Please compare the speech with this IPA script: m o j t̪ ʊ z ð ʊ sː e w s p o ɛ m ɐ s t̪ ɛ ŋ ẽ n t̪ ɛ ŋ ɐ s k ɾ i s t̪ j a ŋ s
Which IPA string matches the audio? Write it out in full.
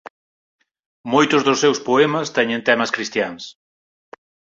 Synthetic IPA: m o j t̪ ʊ z ð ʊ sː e w s p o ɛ m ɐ s t̪ ɛ ɲ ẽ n t̪ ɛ m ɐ s k ɾ i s t̪ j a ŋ s